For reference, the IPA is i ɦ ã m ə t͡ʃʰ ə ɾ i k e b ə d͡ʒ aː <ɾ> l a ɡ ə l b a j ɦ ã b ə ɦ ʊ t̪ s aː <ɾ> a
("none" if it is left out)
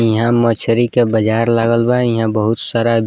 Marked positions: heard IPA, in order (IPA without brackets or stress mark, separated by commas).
ɾ, ɾ